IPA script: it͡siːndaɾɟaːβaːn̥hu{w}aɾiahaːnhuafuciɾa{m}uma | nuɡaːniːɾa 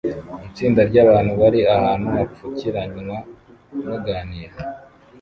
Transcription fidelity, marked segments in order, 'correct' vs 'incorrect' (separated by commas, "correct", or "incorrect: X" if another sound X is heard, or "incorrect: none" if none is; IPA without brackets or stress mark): incorrect: β, incorrect: ɲ